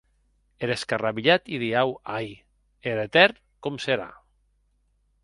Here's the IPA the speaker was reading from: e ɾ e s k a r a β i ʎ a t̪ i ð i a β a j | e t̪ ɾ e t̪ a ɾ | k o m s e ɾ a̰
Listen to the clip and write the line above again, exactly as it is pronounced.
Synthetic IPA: e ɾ e s k a r a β i ʎ a t̪ i ð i a w a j | e ɾ e t̪ ɛ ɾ | k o m s e ɾ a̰